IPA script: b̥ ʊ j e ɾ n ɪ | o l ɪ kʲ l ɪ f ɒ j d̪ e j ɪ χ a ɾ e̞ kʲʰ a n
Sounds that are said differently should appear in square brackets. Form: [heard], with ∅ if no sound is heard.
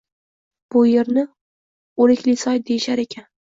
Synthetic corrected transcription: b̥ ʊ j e ɾ n ɪ | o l ɪ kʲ l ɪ [s] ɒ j d̪ e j ɪ [ʃ] a ɾ e̞ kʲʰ a n